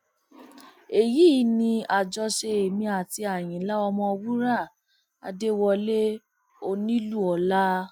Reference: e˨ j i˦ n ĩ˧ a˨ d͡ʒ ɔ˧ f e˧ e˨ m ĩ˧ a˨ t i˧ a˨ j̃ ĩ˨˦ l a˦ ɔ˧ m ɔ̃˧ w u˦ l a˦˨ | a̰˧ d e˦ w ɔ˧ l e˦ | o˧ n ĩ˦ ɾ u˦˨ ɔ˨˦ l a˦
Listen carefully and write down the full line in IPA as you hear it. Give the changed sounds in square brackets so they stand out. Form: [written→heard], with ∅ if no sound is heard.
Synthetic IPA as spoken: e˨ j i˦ n ĩ˧ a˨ d͡ʒ ɔ˧ [f→ʃ] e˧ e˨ m ĩ˧ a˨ t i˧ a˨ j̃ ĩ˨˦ l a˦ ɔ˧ m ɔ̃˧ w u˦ [l→ɾ] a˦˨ | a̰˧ d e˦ w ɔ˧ l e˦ | o˧ n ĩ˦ [ɾ→l] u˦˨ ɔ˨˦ l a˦

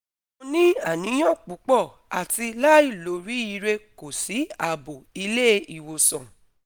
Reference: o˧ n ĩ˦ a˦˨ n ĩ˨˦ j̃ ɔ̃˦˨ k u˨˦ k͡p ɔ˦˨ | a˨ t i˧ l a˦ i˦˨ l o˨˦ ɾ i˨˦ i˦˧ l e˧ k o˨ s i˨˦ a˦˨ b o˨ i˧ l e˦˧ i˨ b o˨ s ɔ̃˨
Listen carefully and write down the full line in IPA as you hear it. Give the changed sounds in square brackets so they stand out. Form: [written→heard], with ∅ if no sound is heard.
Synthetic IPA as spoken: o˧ n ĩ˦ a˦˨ n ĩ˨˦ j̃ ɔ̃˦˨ [k→k͡p] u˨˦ k͡p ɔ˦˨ | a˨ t i˧ l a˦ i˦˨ l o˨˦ ɾ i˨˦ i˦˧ [l→ɾ] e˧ k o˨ s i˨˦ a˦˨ b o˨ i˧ l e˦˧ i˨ [b→w] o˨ s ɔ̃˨

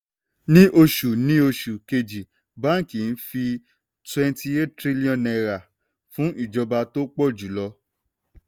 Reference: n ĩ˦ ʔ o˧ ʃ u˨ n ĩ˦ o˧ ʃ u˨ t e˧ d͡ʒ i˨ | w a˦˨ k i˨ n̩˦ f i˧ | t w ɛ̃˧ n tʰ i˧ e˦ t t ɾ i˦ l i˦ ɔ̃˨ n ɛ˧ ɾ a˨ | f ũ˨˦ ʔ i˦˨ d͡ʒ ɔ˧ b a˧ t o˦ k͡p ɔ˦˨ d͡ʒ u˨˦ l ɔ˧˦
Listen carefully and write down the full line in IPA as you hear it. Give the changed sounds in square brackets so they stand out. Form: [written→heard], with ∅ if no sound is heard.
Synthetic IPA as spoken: n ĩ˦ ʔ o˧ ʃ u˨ n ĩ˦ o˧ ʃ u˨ [t→k] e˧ d͡ʒ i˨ | [w→b] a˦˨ k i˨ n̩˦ f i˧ | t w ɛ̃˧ n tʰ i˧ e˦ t t ɾ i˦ l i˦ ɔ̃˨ n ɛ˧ ɾ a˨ | f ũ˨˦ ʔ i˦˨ d͡ʒ ɔ˧ b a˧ t o˦ k͡p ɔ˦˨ d͡ʒ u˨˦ l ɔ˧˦

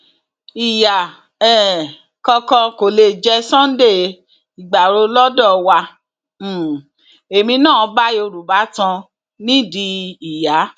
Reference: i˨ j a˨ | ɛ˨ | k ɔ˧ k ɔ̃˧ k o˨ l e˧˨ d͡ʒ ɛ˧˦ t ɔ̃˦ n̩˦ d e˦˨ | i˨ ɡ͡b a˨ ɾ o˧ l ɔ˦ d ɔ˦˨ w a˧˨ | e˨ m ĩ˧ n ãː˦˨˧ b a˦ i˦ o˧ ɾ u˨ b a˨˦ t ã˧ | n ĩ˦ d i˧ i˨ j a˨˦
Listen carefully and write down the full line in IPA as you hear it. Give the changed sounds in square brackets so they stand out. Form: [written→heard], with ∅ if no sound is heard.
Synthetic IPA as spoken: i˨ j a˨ | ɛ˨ | k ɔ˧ k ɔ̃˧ k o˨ l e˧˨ d͡ʒ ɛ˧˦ [t→s] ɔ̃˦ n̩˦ d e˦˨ | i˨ ɡ͡b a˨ ɾ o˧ l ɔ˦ d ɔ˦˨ w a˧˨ | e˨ m ĩ˧ n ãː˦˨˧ b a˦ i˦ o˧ ɾ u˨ b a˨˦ t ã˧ | n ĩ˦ d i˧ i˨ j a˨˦

